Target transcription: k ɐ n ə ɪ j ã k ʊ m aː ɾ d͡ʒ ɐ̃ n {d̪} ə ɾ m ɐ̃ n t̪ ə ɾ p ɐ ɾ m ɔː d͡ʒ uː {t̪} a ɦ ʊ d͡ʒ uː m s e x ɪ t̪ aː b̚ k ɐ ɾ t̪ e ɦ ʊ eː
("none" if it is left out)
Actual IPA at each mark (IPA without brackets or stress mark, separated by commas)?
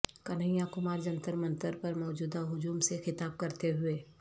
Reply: t̪, d̪